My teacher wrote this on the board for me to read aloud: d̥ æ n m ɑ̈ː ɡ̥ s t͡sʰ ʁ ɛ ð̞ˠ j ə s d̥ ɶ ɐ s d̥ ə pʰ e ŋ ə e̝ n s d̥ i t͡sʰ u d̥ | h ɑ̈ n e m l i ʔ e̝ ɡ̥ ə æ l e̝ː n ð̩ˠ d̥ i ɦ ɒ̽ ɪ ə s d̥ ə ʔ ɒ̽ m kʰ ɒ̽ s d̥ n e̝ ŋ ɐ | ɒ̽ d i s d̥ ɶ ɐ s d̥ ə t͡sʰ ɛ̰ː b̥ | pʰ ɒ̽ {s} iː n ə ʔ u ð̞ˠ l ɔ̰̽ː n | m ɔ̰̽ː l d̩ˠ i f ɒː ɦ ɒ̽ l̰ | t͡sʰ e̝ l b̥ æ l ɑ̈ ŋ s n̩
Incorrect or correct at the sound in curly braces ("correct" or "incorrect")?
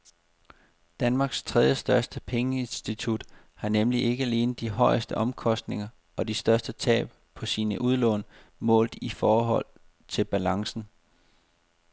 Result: correct